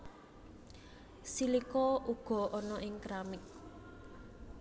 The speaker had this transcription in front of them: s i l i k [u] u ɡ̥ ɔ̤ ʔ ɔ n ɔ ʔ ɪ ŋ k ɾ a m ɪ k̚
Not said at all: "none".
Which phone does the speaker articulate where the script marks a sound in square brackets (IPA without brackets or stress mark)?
ɔ